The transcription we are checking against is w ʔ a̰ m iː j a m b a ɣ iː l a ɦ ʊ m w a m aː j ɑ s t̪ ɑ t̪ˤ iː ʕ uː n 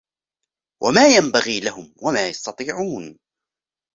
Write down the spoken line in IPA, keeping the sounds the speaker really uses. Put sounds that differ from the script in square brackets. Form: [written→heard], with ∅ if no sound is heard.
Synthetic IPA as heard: w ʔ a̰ m [iː→aː] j a m b a ɣ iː l a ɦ ʊ m w a m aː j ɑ s t̪ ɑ t̪ˤ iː ʕ uː n